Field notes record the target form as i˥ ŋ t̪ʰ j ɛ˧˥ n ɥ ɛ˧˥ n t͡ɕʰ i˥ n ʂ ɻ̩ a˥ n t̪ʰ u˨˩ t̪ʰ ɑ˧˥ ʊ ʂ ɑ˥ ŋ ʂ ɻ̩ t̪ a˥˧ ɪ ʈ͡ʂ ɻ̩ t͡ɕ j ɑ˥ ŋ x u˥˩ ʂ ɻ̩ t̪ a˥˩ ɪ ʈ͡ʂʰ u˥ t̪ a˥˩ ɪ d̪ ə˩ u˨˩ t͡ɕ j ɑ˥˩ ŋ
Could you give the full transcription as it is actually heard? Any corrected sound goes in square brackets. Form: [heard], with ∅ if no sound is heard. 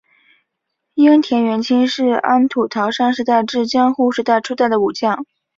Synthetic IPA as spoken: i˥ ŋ t̪ʰ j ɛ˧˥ n ɥ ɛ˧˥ n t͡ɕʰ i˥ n ʂ ɻ̩ a˥ n t̪ʰ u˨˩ t̪ʰ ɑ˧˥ ʊ ʂ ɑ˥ ŋ ʂ ɻ̩ t̪ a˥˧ ɪ ʈ͡ʂ ɻ̩ t͡ɕ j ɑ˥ ŋ x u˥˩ ʂ ɻ̩ t̪ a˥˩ ɪ ʈ͡ʂʰ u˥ t̪ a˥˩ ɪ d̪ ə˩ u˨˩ t͡ɕ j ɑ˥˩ ŋ